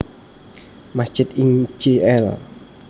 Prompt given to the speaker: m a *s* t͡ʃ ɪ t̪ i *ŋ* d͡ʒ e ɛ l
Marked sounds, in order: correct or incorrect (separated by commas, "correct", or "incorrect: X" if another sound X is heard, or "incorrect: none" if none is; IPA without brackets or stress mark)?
correct, correct